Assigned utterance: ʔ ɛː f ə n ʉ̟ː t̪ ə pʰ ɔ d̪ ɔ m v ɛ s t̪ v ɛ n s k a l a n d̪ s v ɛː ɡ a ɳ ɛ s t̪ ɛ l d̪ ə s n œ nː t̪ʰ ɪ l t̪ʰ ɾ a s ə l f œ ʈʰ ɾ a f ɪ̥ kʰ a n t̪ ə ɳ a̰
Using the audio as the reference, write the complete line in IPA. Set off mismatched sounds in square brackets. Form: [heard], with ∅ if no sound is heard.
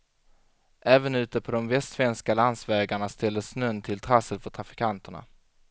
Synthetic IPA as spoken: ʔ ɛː [v] ə n ʉ̟ː t̪ ə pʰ ɔ d̪ ɔ m v ɛ s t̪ v ɛ n s k a l a n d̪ s v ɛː ɡ a ɳ [a] s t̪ ɛ l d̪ ə s n œ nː t̪ʰ ɪ l t̪ʰ ɾ a s ə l f œ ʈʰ ɾ a f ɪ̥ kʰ a n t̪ ə ɳ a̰